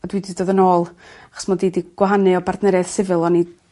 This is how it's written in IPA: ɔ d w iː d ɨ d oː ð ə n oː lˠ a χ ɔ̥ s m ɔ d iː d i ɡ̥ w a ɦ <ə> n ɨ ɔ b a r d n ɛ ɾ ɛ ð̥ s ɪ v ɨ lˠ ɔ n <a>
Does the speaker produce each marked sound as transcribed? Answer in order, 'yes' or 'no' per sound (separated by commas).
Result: no, no